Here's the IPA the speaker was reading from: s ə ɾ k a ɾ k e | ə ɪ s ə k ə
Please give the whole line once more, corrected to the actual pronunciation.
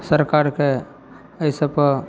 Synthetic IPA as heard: s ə ɾ k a ɾ k e | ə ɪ s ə p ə